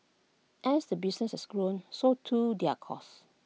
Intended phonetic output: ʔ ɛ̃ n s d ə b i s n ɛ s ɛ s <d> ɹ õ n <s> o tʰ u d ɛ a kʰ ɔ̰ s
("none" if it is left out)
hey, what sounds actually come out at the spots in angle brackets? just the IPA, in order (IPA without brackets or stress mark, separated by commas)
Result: ɡ, s